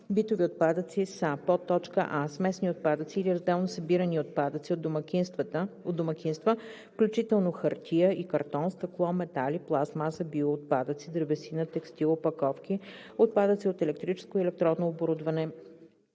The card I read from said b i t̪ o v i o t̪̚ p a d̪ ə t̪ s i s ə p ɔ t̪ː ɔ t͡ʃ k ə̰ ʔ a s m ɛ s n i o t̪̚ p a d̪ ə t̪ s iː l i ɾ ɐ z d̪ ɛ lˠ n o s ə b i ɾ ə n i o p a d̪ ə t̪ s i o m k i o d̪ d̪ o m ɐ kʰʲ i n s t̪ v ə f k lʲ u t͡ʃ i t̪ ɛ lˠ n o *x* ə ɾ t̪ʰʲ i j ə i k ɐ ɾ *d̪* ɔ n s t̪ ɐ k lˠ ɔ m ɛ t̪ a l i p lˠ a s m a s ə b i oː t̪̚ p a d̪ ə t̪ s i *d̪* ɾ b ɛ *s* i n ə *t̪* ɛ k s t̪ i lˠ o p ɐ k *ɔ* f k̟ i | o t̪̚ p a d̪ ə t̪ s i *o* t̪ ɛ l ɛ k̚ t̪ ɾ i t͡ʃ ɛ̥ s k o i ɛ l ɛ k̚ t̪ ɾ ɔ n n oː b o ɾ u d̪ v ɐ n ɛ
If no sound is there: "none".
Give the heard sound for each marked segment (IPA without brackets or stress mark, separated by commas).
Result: x, t̪, d̪, s, t̪, ɔ, o